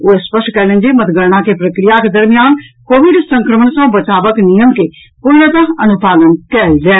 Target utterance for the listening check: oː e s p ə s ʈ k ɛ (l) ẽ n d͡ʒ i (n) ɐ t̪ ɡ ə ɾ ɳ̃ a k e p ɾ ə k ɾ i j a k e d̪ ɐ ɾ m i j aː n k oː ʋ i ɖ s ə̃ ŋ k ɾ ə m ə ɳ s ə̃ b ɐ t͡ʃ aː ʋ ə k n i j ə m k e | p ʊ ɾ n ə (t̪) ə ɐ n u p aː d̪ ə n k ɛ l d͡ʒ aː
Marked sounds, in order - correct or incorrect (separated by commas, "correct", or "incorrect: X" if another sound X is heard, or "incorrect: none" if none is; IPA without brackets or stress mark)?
correct, incorrect: m, correct